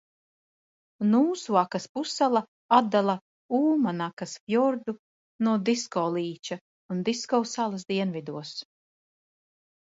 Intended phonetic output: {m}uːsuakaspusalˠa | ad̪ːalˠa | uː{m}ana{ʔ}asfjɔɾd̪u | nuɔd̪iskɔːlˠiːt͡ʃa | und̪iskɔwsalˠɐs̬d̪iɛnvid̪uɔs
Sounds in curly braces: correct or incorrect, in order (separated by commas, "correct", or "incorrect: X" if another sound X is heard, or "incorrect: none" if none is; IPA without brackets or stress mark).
incorrect: n, correct, incorrect: k